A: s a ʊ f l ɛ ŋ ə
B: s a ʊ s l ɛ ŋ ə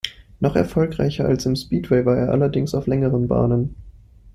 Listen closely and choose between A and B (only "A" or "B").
A